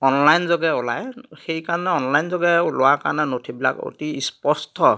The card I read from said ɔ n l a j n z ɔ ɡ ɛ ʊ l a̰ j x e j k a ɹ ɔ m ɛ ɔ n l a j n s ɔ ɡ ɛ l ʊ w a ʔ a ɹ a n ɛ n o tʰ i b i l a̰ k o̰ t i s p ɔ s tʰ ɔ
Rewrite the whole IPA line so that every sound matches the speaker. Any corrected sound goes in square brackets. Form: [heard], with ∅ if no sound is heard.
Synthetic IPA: ɔ n l a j n z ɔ ɡ ɛ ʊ l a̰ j x e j k a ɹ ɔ [n] ɛ ɔ n l a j n [z] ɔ ɡ ɛ l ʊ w a [k] a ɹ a n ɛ n o tʰ i b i l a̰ k o̰ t i s p ɔ s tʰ ɔ